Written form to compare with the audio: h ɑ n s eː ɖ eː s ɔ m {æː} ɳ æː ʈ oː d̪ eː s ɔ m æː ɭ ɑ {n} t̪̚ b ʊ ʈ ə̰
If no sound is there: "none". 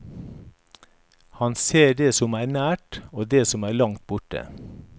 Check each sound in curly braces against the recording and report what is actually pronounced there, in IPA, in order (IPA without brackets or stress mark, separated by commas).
æː, ŋ